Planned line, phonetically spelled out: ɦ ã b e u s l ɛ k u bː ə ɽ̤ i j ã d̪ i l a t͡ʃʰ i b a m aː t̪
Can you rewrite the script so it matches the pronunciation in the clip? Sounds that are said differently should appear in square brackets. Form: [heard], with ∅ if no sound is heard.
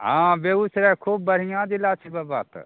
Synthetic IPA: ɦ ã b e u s [ɾ] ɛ [kʰ] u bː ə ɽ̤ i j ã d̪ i l a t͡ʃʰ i b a [b] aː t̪

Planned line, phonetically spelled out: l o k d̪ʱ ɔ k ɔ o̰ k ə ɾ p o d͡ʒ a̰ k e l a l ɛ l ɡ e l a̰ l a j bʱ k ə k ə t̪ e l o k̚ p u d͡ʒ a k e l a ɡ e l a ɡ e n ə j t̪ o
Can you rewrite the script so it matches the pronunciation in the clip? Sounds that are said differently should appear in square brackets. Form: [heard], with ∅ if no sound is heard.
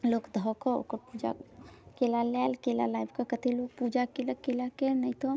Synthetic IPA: l o k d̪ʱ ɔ k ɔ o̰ k ə ɾ p [u] d͡ʒ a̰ k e l a l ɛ l [k] e l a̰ l a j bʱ k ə k ə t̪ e l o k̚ p u d͡ʒ a k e l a [k] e l a [k] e n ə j t̪ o

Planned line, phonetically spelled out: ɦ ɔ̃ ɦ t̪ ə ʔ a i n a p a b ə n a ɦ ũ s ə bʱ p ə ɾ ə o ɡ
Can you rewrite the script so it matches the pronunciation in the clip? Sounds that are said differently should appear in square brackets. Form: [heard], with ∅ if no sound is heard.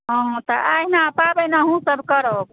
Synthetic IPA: ɦ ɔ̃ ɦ t̪ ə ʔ a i n a p a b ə n a ɦ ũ s ə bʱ [k] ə ɾ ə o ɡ

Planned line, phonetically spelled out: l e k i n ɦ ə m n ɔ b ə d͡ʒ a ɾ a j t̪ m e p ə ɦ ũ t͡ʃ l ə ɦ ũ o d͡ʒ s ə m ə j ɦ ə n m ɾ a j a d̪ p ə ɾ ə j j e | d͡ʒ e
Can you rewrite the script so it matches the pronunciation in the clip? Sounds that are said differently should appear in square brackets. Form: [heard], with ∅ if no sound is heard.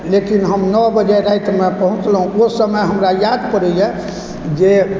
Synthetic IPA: l e k i n ɦ ə m n ɔ b ə d͡ʒ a ɾ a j t̪ m e p ə ɦ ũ t͡ʃ l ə ɦ ũ o [∅] s ə m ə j ɦ ə [∅] m ɾ a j a d̪ p ə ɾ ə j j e | d͡ʒ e

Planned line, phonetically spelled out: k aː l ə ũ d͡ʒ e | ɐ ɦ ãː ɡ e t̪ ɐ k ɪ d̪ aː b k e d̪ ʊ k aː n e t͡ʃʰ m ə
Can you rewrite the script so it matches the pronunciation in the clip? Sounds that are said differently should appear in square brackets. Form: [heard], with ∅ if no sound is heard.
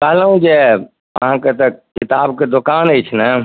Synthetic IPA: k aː l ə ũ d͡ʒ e | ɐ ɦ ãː [k] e t̪ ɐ k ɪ [t̪] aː b k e d̪ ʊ k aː n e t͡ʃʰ [n] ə

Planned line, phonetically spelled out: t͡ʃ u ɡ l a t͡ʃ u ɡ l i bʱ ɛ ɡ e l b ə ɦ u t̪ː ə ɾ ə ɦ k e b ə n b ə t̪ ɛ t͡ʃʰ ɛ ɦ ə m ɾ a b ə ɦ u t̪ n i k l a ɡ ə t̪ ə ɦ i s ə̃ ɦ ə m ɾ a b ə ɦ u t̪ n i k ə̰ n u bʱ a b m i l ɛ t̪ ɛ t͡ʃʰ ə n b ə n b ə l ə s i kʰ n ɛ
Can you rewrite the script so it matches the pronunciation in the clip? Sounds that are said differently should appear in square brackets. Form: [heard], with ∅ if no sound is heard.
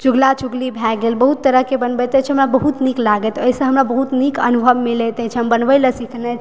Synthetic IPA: t͡ʃ u ɡ l a t͡ʃ u ɡ l i bʱ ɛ ɡ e l b ə ɦ u t̪ː ə ɾ ə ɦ k e b ə n b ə t̪ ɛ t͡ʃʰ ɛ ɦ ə m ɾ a b ə ɦ u t̪ n i k l a ɡ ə t̪ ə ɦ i s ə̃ ɦ ə m ɾ a b ə ɦ u t̪ n i k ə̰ n u bʱ [ə] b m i l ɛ t̪ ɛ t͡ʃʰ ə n b ə n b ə l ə s i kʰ n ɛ

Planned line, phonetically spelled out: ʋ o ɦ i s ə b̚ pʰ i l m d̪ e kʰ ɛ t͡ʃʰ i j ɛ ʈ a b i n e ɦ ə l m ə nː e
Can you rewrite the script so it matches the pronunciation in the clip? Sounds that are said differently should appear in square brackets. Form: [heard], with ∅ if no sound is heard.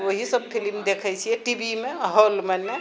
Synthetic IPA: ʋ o ɦ i s ə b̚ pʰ i l m d̪ e kʰ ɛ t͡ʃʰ i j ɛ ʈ [i] b i [m] e ɦ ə l m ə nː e

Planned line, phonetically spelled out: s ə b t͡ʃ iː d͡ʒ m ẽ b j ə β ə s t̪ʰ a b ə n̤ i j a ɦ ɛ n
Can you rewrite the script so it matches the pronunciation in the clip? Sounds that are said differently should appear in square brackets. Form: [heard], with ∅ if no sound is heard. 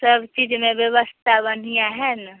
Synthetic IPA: s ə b t͡ʃ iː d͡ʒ m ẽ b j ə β ə s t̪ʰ a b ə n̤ i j a ɦ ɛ n

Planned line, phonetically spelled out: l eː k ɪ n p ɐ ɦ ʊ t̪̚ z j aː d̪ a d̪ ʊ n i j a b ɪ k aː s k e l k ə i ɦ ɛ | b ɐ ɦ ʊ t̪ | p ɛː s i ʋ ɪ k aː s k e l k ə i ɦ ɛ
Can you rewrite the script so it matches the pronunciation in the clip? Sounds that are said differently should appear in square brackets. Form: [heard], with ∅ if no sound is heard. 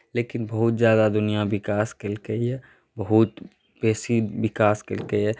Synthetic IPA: l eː k ɪ n [b] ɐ ɦ ʊ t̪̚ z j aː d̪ a d̪ ʊ n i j a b ɪ k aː s k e l k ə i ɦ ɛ | b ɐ ɦ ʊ t̪ | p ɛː s i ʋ ɪ k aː s k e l k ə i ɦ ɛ

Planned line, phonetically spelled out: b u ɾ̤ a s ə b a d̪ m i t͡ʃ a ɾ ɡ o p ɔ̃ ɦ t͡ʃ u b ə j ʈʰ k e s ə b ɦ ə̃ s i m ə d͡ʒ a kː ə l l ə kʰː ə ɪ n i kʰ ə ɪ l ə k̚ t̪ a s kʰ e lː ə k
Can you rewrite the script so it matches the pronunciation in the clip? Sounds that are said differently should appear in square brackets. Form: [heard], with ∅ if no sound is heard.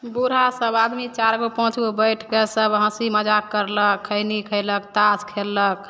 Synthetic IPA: b u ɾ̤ a s ə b a d̪ m i t͡ʃ a ɾ ɡ o p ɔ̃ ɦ t͡ʃ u b ə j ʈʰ k e s ə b ɦ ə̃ s i m ə d͡ʒ a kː ə [ɾ] l ə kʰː ə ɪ n i kʰ ə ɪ l ə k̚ t̪ a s kʰ e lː ə k

